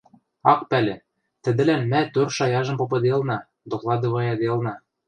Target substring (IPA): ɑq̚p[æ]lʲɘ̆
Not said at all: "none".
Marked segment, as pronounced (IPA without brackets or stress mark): æ